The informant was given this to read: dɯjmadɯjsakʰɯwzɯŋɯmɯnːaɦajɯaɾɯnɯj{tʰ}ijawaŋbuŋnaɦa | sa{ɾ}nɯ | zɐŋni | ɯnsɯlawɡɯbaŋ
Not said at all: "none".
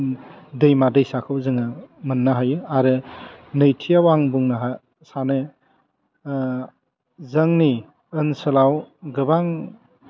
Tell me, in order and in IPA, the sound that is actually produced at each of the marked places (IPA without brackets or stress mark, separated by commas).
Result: tʰ, none